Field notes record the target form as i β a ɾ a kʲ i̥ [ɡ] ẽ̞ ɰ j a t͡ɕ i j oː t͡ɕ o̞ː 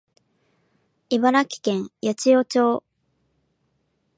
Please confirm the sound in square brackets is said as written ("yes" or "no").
no